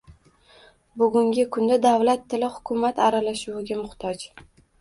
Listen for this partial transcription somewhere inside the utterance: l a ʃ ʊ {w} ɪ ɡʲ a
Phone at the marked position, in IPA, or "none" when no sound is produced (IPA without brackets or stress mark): w